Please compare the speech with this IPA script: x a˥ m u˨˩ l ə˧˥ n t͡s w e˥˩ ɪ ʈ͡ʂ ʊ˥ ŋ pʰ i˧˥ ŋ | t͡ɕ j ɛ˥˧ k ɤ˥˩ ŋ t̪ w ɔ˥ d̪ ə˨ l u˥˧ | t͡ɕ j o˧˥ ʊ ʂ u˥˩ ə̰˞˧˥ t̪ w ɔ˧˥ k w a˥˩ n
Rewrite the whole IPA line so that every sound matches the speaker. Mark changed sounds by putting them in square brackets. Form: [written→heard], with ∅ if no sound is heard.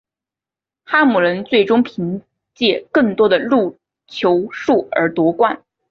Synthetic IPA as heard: x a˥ m u˨˩ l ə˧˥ n t͡s w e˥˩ ɪ ʈ͡ʂ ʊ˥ ŋ pʰ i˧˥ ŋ | t͡ɕ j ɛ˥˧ k ɤ˥˩ ŋ t̪ w ɔ˥ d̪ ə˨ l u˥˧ | [t͡ɕ→t͡ɕʰ] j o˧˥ ʊ ʂ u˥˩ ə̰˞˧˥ t̪ w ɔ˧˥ k w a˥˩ n